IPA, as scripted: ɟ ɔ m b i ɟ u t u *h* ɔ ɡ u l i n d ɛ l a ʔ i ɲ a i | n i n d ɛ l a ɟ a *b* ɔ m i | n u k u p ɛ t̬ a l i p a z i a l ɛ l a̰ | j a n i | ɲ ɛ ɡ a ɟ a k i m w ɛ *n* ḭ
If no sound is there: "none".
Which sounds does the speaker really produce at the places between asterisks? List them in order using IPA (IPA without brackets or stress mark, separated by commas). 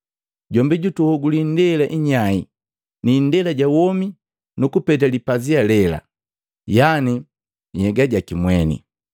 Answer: h, w, n